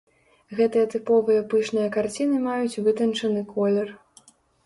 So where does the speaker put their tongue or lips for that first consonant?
velum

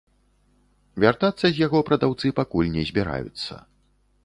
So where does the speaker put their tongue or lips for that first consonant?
lips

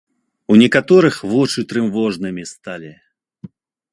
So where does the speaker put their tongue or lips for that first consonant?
tongue tip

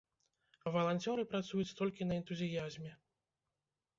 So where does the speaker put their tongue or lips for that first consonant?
lips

